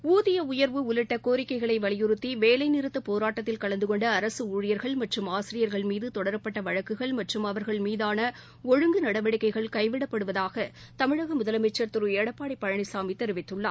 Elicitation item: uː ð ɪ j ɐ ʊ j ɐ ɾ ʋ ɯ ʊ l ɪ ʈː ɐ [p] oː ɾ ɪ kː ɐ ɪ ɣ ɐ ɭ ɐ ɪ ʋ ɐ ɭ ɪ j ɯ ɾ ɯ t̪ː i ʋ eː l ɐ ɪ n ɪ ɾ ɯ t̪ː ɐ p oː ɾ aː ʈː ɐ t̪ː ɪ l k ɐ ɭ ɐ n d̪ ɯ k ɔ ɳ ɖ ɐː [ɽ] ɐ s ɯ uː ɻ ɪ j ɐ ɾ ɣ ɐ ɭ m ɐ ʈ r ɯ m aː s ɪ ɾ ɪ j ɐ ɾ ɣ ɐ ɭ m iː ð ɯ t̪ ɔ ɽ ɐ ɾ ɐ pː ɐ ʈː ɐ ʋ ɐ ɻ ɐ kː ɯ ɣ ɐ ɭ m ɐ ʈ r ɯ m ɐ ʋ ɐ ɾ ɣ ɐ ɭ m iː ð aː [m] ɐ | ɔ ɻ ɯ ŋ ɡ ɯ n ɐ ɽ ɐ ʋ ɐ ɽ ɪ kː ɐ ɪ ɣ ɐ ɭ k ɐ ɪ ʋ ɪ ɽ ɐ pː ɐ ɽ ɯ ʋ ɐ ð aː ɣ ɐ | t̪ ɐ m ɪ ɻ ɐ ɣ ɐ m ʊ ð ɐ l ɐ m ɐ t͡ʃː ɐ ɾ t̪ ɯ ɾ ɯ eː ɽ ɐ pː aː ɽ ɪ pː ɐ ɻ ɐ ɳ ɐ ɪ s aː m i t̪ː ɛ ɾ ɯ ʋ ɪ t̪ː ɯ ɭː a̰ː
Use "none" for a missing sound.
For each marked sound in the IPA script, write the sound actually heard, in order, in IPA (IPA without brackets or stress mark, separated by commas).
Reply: k, ɾ, n